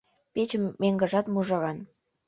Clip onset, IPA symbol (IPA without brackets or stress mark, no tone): p